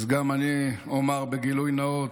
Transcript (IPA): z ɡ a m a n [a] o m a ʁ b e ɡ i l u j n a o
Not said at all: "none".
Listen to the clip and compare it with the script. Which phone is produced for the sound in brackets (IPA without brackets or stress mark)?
i